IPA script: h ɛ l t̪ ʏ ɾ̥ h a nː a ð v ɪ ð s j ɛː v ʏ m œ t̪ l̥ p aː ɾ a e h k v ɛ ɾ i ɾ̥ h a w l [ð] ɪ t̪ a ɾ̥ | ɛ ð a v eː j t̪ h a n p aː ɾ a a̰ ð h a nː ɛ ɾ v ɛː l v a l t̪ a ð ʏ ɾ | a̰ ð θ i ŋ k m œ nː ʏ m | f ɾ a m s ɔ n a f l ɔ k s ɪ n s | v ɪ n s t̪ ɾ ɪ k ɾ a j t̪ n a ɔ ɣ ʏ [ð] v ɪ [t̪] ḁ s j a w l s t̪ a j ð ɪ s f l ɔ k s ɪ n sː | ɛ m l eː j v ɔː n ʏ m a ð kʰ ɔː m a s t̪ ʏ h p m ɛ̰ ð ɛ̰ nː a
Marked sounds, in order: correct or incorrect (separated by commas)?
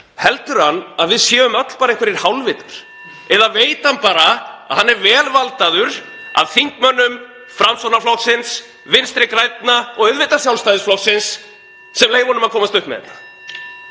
incorrect, correct, correct